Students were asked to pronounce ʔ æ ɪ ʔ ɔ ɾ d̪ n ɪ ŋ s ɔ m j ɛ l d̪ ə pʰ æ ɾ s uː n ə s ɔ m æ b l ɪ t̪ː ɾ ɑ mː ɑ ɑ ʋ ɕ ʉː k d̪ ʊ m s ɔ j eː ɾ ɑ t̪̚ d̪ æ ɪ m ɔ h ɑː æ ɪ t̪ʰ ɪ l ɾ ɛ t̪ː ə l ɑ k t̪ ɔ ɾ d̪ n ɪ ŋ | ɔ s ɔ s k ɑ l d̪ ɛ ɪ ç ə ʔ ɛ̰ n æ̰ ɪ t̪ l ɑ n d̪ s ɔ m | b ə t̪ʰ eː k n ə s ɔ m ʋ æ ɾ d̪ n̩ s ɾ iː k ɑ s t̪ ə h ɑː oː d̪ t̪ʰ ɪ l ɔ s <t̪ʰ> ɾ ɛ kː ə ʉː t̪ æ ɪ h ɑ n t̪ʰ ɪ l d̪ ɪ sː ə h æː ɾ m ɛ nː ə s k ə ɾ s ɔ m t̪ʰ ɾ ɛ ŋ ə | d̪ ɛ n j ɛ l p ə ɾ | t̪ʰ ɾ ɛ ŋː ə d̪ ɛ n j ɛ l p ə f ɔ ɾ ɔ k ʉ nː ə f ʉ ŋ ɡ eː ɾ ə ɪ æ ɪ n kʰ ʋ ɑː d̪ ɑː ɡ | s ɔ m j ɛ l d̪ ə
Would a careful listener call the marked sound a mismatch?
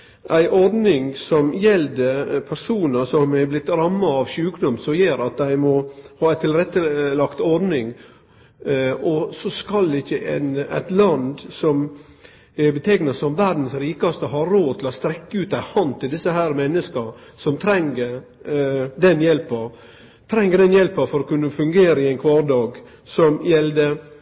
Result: yes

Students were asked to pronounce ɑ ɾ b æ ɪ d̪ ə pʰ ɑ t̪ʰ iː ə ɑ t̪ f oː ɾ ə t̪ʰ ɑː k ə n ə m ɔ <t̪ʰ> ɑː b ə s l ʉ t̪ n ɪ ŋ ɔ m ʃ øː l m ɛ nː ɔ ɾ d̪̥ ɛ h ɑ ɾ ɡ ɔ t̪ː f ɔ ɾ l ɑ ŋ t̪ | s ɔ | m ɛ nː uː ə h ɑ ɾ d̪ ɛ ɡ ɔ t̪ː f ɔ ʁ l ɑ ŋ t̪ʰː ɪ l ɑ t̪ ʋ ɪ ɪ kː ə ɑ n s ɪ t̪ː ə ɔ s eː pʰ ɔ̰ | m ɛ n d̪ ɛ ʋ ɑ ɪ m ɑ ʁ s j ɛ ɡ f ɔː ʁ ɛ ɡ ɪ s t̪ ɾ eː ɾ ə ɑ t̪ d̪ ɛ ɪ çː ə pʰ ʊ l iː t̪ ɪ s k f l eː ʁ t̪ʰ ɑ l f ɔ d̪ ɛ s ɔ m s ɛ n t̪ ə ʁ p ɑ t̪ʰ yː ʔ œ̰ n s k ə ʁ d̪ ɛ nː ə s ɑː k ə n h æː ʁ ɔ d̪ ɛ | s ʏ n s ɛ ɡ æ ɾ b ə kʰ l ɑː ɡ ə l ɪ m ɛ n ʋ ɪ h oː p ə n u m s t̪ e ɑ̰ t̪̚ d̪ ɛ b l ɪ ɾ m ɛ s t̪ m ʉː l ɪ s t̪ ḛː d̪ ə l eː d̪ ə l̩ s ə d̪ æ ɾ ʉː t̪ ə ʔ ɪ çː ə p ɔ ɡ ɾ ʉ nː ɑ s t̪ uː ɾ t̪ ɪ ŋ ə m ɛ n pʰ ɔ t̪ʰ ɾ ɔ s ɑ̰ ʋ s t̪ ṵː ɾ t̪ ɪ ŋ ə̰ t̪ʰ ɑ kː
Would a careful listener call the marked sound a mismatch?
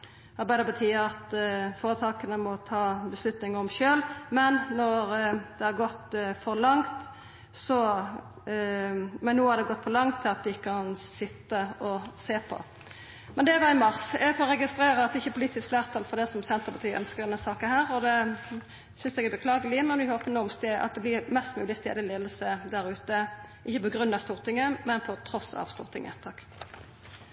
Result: no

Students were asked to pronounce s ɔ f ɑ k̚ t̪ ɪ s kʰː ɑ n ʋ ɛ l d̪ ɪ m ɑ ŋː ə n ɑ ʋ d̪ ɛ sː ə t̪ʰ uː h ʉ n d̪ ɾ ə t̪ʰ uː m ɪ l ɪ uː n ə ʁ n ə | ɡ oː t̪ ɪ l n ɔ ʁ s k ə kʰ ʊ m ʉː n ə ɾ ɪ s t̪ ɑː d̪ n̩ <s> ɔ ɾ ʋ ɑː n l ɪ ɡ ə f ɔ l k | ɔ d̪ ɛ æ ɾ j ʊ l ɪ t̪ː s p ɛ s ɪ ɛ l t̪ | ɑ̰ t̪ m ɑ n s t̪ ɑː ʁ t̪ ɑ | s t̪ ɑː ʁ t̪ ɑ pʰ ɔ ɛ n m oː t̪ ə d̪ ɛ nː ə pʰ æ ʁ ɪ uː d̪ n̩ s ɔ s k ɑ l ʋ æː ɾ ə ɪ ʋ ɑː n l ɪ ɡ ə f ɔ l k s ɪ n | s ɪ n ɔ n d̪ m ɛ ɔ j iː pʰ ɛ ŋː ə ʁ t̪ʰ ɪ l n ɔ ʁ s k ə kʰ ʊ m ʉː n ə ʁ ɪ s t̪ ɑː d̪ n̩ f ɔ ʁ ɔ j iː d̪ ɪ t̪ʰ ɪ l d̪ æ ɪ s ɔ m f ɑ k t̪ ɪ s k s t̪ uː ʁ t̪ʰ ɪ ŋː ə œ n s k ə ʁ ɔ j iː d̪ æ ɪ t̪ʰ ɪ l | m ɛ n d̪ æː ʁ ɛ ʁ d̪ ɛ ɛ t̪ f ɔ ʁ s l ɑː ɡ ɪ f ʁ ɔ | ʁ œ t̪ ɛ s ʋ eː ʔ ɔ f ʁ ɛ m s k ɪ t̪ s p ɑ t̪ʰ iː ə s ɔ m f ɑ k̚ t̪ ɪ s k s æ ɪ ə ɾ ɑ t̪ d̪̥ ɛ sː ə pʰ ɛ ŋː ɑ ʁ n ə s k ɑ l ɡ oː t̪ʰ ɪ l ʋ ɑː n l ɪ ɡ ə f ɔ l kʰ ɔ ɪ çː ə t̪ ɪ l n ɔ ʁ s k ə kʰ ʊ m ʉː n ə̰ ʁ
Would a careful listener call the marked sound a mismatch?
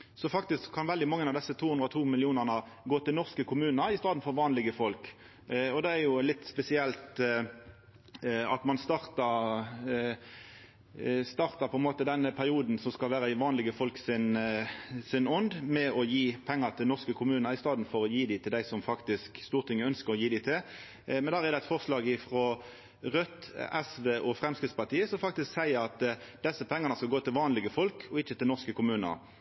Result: yes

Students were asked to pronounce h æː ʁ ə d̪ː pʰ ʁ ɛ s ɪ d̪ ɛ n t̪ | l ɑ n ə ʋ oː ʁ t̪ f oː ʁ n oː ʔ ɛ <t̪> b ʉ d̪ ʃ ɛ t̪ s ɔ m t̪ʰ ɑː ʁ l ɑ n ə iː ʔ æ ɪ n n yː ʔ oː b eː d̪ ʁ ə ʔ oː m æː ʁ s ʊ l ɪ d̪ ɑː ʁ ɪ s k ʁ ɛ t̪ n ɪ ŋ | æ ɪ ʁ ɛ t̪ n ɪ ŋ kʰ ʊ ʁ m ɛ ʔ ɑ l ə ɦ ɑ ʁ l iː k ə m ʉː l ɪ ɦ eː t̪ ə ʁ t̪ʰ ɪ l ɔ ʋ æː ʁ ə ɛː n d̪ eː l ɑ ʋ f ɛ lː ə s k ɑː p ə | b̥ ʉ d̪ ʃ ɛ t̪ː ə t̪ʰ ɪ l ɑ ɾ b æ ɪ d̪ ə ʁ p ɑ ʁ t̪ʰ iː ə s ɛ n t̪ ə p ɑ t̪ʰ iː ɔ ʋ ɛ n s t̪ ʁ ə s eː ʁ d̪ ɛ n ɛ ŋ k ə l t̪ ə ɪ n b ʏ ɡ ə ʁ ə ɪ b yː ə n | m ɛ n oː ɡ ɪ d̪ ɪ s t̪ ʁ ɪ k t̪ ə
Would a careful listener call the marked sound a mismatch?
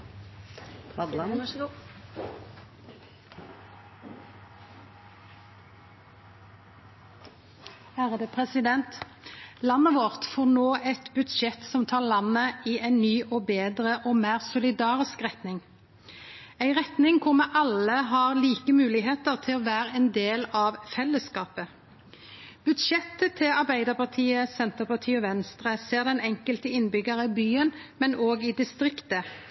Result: no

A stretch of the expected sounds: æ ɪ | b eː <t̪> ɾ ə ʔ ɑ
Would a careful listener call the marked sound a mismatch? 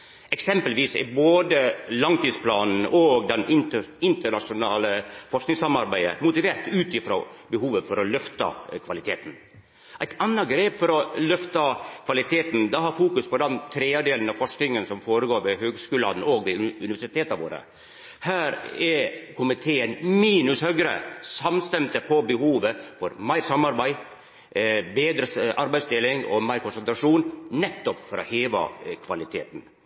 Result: yes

